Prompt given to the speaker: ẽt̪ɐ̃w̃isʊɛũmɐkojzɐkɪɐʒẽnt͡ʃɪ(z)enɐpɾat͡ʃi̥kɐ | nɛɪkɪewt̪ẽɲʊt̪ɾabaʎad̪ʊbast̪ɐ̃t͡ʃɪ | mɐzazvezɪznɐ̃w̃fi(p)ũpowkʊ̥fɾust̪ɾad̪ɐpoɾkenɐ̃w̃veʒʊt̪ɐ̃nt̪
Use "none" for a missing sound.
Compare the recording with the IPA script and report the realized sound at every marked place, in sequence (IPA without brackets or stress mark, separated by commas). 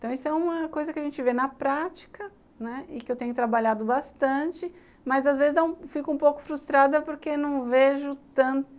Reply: v, k